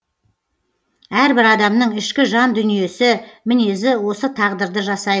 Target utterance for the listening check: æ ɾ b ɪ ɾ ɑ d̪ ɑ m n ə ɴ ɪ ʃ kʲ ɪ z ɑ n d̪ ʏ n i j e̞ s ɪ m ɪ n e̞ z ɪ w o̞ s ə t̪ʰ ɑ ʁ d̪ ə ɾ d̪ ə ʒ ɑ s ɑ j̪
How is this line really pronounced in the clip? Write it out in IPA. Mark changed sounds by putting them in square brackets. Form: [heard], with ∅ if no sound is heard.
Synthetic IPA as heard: æ ɾ b ɪ ɾ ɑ d̪ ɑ m n ə ɴ ɪ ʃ kʲ ɪ [ʒ] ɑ n d̪ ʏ n i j e̞ s ɪ m ɪ n e̞ z ɪ w o̞ s ə t̪ʰ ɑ ʁ d̪ ə ɾ d̪ ə ʒ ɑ s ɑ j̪